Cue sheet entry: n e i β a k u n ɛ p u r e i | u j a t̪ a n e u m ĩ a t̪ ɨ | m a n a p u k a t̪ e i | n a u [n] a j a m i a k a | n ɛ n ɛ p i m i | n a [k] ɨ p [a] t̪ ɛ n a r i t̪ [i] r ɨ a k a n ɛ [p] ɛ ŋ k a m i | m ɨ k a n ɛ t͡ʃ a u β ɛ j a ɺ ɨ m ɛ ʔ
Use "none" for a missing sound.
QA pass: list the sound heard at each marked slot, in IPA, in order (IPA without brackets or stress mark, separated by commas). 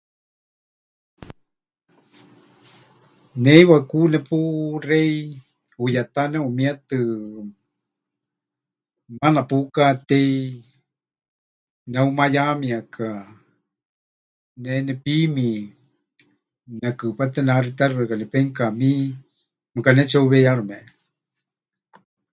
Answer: m, k, a, a, p